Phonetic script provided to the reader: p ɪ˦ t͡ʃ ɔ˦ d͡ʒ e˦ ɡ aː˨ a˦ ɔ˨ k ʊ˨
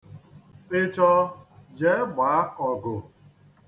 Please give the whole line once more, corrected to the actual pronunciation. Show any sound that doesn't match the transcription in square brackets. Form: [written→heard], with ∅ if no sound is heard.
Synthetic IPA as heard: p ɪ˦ t͡ʃ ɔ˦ d͡ʒ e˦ [ɡ→ɡ͡b] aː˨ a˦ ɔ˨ [k→ɡ] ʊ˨